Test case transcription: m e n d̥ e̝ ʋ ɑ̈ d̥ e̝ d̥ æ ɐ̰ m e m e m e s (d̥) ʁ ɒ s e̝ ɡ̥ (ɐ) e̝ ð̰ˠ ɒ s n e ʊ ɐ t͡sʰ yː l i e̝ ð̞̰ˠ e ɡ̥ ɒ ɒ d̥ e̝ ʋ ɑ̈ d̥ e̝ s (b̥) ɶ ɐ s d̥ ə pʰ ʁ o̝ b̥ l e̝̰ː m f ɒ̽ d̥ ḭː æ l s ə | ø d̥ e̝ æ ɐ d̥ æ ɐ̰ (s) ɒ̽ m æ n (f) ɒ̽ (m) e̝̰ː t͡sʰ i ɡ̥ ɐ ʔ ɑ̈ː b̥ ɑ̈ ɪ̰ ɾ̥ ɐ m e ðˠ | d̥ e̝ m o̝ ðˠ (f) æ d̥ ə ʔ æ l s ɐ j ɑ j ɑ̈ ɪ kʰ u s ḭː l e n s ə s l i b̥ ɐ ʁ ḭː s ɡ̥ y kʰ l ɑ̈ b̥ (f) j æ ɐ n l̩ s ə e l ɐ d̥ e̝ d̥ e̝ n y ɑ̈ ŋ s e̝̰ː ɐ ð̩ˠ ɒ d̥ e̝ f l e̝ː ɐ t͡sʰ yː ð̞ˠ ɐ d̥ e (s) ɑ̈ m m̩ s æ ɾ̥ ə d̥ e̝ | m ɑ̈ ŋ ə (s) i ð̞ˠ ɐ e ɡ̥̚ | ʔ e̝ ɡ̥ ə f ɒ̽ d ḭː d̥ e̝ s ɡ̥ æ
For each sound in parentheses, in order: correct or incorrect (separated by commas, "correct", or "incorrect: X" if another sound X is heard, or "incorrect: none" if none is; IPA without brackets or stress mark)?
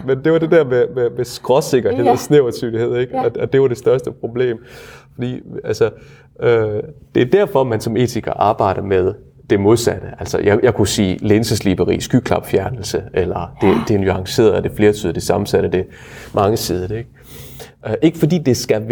incorrect: ɡ̥, correct, incorrect: d̥, incorrect: f, incorrect: s, correct, incorrect: s, correct, correct, correct